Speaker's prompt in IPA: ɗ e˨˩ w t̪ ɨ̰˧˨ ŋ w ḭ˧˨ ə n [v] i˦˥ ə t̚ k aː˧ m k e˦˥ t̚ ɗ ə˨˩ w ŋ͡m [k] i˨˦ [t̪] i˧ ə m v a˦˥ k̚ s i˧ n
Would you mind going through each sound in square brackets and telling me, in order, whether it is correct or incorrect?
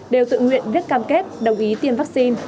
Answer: correct, incorrect, correct

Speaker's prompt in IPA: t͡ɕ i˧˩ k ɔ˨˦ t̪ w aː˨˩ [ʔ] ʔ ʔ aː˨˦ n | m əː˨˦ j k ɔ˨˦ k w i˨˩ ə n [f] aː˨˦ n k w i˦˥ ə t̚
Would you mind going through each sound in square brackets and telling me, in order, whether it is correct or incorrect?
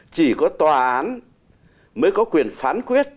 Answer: correct, correct

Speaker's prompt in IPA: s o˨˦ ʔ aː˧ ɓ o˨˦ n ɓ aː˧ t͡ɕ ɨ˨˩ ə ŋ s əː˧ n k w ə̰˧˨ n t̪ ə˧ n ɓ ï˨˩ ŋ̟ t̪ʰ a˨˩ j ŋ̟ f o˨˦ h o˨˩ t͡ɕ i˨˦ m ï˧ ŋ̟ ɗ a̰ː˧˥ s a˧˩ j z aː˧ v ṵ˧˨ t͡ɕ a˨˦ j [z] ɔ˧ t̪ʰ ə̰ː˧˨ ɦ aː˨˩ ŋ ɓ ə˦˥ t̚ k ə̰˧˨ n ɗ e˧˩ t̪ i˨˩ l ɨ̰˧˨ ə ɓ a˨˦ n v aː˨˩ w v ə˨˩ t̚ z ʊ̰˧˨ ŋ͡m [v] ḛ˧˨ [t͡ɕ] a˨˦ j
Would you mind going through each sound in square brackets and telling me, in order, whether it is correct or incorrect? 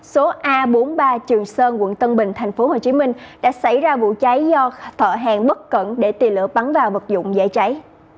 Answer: correct, incorrect, correct

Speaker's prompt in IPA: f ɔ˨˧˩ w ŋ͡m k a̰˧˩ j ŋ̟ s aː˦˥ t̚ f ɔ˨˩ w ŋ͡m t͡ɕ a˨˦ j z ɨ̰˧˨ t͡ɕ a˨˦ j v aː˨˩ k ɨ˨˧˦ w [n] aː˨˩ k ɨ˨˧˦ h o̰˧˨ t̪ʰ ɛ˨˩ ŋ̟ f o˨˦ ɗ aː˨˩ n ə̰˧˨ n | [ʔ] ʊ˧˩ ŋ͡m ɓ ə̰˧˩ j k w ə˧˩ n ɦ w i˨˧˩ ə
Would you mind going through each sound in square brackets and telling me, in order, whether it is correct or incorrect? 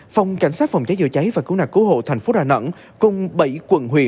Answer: correct, incorrect

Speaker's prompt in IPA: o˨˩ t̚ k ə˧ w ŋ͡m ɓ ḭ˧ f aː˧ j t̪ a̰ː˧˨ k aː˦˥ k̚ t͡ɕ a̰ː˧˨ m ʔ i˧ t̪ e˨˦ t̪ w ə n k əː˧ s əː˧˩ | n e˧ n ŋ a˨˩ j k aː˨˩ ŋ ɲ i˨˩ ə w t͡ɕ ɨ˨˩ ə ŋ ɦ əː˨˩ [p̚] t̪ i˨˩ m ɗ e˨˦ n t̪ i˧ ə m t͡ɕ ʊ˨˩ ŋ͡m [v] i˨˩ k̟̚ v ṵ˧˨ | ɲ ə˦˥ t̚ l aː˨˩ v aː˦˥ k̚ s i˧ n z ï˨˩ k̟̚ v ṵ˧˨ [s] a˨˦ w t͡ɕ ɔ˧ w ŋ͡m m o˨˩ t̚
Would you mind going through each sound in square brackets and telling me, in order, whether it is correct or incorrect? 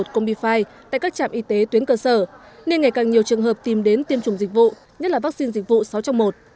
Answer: correct, incorrect, correct

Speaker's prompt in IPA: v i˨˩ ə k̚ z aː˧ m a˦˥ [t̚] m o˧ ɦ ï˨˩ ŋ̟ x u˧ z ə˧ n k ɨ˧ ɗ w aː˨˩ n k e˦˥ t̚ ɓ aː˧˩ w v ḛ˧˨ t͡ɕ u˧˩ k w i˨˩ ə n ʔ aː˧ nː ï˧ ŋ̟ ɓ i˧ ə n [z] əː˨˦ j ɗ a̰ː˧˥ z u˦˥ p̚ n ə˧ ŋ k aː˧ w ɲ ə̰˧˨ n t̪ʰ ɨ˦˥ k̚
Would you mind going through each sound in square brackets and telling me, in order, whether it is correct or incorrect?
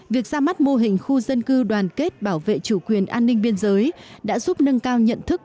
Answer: correct, correct

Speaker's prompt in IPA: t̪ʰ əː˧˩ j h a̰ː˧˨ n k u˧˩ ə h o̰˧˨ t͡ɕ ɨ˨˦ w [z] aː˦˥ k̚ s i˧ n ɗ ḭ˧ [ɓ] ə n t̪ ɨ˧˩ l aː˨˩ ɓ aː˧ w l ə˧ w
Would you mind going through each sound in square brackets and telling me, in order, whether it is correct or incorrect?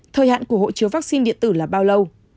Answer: incorrect, incorrect

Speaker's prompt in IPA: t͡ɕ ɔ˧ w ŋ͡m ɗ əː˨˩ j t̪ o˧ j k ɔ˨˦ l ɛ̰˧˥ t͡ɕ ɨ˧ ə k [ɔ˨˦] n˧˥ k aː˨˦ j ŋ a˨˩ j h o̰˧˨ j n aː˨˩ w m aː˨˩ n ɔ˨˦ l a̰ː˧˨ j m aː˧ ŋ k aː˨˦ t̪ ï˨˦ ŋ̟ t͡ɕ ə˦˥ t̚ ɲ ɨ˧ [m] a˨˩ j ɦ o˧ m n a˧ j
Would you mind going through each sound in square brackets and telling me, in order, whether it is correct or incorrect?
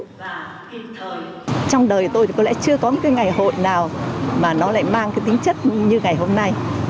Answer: correct, incorrect

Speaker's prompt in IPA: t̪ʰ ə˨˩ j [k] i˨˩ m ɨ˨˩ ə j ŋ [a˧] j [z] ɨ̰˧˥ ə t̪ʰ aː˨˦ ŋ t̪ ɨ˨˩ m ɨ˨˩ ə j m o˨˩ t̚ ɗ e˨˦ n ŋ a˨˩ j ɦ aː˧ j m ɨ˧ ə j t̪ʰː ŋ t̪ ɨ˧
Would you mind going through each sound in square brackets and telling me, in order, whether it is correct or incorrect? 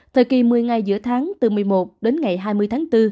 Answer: correct, incorrect, correct

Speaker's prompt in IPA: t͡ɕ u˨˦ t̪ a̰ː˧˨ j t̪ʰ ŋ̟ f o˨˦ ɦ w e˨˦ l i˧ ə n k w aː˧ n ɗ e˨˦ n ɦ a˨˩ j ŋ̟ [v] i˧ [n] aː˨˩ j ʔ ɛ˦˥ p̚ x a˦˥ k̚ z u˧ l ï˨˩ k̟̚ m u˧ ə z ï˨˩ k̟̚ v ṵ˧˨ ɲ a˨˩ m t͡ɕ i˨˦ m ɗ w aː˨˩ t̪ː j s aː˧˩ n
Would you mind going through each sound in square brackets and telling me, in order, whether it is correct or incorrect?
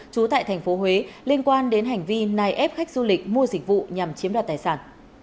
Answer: correct, correct

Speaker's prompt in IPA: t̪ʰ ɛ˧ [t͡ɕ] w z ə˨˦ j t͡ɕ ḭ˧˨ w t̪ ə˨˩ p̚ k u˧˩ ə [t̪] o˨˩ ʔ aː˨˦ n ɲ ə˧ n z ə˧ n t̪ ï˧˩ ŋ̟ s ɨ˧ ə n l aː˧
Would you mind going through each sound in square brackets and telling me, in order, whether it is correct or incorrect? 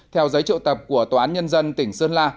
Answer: incorrect, correct

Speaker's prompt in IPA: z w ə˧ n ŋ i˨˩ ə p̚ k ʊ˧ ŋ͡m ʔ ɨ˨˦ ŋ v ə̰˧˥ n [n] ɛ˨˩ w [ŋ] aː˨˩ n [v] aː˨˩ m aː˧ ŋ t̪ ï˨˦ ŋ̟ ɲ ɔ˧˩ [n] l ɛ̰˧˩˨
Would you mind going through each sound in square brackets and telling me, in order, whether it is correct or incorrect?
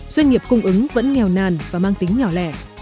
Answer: incorrect, incorrect, correct, incorrect

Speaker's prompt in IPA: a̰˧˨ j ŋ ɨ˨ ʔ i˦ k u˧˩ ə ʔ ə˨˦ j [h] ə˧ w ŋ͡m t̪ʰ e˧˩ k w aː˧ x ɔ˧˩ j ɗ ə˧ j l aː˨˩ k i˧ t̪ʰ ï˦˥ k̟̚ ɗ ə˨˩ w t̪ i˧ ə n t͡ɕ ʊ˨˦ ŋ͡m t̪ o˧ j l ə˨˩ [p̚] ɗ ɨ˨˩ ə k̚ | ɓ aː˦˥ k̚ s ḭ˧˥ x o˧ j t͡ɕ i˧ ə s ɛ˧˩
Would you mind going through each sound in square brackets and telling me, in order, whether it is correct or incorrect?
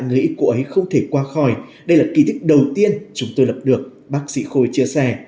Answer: incorrect, correct

